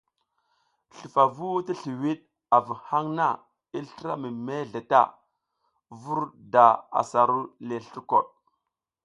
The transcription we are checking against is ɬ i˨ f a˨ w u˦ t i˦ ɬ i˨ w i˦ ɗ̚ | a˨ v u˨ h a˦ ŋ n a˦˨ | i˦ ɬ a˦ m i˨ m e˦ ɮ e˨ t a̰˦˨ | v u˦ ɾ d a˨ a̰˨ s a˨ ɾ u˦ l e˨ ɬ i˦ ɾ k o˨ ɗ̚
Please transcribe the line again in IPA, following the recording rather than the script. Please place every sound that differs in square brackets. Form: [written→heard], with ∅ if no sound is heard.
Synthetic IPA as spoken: ɬ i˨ f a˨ [w→v] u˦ t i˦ ɬ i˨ w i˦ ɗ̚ | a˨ v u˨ h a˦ ŋ n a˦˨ | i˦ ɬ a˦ m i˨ m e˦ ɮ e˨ t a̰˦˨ | v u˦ ɾ d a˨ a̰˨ s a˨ ɾ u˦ l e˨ ɬ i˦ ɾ k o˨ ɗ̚